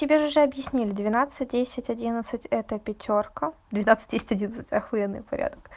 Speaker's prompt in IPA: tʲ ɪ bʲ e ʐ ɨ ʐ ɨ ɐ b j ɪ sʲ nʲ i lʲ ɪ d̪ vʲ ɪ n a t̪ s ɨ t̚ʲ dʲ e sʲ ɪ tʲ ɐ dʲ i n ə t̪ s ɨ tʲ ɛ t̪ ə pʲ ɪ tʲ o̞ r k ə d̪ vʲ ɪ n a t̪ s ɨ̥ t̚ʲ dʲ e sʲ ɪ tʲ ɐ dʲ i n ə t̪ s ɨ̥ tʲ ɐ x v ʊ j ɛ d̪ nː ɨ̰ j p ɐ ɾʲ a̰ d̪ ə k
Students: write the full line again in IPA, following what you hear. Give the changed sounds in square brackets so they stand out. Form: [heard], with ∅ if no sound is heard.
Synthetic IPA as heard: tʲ ɪ bʲ e ʐ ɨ ʐ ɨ ɐ b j ɪ sʲ nʲ i lʲ ɪ d̪ vʲ ɪ n a t̪ s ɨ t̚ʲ dʲ e sʲ ɪ tʲ ɐ dʲ i n ə t̪ s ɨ tʲ ɛ t̪ ə pʲ ɪ tʲ o̞ r k ə d̪ vʲ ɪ n a t̪ s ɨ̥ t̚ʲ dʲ e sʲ ɪ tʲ ɐ dʲ i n ə t̪ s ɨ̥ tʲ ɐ x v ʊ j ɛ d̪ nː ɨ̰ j p ɐ ɾʲ a̰ d̪ ə k